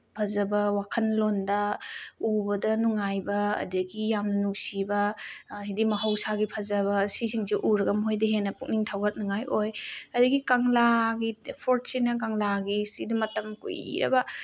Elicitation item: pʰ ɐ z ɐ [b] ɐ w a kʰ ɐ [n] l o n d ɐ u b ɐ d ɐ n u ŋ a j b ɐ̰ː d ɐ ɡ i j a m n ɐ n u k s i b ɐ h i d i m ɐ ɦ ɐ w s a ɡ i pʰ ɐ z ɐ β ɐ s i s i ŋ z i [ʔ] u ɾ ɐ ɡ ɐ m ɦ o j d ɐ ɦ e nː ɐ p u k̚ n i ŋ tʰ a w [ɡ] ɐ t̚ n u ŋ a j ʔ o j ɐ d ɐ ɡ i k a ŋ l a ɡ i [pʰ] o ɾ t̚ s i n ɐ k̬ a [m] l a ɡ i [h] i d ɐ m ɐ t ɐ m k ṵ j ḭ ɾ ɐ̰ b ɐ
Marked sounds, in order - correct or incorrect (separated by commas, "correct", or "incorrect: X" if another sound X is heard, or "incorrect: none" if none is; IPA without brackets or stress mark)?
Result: correct, correct, correct, correct, correct, incorrect: ŋ, incorrect: s